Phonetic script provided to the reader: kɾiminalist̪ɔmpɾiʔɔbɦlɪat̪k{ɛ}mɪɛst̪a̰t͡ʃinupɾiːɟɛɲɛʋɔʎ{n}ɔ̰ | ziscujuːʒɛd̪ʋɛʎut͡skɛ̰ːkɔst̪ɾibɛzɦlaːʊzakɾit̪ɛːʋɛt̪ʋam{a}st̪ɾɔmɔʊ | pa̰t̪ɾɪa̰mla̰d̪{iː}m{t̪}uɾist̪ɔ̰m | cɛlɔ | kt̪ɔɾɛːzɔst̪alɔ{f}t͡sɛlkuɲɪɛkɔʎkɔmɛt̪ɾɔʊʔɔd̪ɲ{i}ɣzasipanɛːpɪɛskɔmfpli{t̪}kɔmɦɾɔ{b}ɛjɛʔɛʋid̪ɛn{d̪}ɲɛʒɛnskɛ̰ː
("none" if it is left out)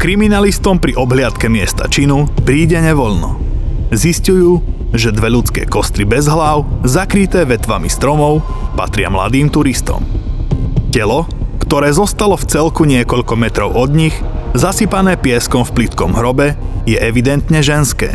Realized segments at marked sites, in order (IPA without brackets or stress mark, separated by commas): ɛ, n, i, iː, t̪, f, i, t̪, b, t̪